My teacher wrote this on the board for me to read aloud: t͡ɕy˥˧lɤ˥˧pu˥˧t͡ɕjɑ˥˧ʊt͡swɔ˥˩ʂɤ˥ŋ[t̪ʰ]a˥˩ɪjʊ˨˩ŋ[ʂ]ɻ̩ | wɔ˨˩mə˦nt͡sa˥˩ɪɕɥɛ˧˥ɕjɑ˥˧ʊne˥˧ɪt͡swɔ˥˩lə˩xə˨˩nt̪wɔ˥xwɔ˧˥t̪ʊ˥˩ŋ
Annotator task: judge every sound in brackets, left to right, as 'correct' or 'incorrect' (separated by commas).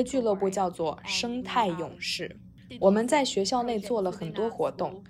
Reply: correct, correct